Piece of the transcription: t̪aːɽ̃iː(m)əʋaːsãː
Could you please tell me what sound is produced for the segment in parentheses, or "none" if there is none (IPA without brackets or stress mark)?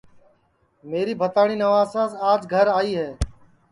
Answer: n